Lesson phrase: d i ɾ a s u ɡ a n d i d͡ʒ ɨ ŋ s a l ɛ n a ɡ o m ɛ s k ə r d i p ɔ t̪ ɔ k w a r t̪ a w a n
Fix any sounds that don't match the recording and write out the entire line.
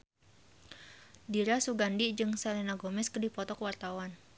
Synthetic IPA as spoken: d i ɾ a s u ɡ a n d i d͡ʒ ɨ ŋ s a l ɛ n a ɡ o m ɛ s k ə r d i p ɔ t̪ ɔ k w a r t̪ a w a n